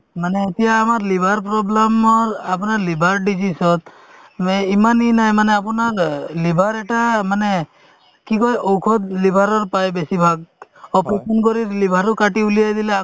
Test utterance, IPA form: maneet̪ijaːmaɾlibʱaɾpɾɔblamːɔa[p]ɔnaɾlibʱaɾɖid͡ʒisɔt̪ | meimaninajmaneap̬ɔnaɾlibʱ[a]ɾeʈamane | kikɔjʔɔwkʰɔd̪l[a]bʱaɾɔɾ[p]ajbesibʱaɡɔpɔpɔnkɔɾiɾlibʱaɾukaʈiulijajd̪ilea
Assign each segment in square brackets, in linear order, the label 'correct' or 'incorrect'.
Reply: correct, correct, incorrect, correct

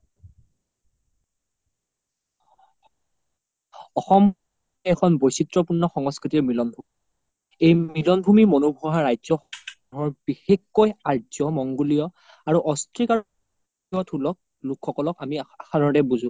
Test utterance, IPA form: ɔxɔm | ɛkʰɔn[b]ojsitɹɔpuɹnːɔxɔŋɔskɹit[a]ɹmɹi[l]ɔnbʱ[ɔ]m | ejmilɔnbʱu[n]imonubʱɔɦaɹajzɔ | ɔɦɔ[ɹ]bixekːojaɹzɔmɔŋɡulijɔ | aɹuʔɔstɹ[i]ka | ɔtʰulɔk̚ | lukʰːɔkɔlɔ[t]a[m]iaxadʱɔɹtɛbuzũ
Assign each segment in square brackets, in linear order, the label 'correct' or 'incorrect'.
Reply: correct, incorrect, correct, incorrect, incorrect, correct, correct, incorrect, correct

